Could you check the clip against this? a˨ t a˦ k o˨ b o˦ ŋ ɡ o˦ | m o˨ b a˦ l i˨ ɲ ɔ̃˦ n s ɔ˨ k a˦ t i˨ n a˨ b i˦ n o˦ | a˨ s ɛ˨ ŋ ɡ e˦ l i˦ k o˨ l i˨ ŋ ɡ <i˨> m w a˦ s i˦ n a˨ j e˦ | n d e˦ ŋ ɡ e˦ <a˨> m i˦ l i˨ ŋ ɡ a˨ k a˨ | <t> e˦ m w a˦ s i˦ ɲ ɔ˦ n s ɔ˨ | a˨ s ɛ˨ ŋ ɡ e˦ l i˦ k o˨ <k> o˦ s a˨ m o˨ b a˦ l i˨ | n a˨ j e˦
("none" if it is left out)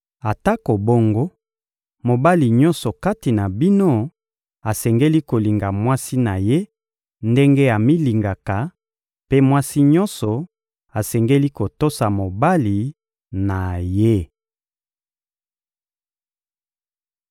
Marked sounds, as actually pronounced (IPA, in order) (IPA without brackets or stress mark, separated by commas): a˨, a˨, p, t